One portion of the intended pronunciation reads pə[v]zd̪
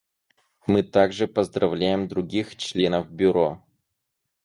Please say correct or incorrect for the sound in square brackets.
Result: incorrect